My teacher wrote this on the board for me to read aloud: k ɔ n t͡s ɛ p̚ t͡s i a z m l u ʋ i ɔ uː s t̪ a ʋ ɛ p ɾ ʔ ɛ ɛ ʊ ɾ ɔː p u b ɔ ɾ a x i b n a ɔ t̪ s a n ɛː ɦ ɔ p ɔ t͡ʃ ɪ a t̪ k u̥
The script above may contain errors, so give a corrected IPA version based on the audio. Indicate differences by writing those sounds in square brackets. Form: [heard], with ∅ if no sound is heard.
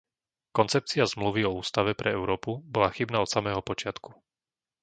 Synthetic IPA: k ɔ n t͡s ɛ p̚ t͡s i a z m l u ʋ i ɔ uː s t̪ a ʋ ɛ p ɾ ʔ ɛ ɛ ʊ ɾ ɔː p u b ɔ [l] a x i b n a ɔ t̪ s a [m] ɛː ɦ ɔ p ɔ t͡ʃ ɪ a t̪ k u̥

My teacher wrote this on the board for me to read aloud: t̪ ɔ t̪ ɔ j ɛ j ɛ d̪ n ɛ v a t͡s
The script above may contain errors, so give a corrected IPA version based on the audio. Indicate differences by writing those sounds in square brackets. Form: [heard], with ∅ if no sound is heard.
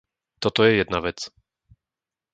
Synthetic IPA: t̪ ɔ t̪ ɔ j ɛ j ɛ d̪ n [a] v [ɛ] t͡s

